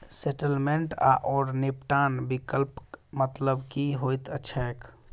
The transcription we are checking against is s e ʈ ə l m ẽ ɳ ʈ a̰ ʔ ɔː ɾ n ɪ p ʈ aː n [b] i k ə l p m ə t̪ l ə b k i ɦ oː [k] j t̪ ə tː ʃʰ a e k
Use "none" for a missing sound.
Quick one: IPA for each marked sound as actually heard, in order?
b, none

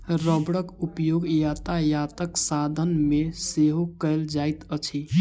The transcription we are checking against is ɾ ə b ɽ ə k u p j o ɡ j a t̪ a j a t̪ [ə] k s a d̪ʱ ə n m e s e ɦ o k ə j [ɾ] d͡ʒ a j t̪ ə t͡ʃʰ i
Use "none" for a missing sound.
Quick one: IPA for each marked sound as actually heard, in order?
ə, l

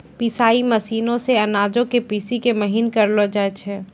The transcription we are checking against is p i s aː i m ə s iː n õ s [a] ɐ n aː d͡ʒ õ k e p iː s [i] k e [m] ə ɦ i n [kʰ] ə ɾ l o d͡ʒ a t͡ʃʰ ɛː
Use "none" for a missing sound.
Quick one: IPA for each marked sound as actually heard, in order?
e, i, m, k

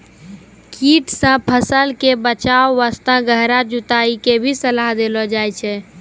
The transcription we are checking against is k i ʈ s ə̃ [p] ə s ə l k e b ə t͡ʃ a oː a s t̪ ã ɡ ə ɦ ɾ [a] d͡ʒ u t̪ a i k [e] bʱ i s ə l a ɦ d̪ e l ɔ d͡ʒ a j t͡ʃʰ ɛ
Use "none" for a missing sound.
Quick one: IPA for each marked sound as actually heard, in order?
pʰ, a, e

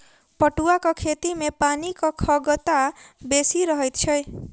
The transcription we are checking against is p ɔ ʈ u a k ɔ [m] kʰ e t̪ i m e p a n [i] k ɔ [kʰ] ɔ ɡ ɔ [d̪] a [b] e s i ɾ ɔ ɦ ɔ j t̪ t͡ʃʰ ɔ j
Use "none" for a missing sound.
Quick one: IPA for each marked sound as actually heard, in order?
none, i, kʰ, t̪, b

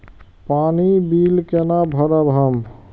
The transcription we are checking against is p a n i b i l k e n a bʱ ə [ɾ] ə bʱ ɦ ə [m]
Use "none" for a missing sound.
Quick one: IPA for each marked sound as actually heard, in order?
ɾ, m

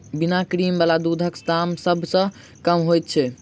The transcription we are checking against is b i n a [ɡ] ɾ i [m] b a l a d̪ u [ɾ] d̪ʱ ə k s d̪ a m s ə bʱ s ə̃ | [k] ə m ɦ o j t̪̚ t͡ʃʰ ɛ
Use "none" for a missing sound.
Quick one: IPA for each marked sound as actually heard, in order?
k, m, none, k

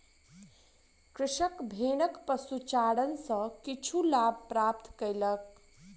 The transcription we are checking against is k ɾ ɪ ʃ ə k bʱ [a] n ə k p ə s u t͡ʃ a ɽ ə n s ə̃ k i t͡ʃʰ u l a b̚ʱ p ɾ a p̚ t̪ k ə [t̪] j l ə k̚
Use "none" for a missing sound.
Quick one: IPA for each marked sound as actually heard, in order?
e, none

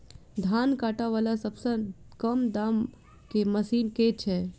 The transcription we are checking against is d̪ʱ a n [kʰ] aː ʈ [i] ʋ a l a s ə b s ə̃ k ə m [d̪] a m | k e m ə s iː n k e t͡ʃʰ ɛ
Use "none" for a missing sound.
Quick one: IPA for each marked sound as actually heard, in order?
k, a, d̪

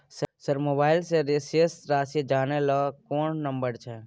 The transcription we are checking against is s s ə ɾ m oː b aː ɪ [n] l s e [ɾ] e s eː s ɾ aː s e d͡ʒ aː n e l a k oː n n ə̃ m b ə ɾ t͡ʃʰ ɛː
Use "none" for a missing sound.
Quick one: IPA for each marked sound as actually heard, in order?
none, ɾ

